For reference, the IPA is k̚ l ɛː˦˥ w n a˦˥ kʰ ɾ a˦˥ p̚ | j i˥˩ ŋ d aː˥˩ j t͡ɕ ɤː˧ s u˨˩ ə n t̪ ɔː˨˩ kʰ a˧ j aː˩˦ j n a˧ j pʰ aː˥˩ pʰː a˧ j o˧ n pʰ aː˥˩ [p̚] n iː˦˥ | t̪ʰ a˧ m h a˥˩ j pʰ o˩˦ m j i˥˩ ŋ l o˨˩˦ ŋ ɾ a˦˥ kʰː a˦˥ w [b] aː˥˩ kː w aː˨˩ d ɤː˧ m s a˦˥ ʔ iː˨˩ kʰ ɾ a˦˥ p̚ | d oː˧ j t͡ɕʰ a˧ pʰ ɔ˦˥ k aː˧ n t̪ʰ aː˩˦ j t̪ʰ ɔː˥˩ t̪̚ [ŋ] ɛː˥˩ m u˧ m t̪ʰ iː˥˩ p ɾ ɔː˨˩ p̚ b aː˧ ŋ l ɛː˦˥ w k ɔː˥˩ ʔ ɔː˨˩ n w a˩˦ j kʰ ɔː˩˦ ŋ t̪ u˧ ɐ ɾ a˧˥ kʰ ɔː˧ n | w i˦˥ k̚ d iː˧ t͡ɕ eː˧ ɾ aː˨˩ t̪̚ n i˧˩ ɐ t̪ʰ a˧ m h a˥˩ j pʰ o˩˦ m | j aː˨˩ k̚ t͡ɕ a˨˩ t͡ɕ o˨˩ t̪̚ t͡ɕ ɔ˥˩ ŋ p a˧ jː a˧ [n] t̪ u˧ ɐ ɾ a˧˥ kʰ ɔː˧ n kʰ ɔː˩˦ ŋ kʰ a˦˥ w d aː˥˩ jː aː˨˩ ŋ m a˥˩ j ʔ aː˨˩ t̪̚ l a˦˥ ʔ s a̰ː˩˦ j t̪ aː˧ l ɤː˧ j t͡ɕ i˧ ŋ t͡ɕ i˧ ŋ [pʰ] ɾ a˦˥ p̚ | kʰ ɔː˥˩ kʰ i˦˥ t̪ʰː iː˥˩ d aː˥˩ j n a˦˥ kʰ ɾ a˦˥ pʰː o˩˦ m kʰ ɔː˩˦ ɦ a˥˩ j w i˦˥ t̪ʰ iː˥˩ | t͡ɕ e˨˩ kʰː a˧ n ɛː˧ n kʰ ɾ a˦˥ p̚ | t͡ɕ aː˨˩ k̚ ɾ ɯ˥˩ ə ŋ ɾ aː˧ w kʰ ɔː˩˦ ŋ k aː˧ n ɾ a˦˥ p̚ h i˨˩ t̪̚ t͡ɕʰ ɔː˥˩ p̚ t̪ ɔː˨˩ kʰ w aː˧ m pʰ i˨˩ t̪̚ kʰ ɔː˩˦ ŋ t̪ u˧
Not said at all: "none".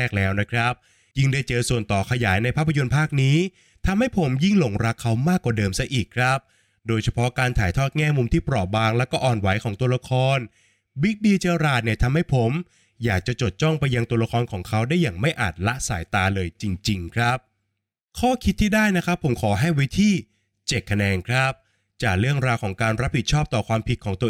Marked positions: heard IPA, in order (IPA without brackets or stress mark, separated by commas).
k̚, m, ŋ, ŋ, kʰ